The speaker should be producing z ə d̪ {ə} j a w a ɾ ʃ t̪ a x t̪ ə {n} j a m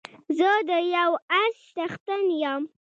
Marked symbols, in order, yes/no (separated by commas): yes, yes